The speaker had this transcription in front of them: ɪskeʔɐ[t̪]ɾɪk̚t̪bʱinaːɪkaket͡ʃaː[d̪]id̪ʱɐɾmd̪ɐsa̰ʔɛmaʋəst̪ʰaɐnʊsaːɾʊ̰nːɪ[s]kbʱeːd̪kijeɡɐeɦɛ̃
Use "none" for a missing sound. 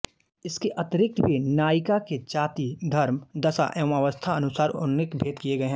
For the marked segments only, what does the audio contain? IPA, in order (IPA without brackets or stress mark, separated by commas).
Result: t̪, t̪, none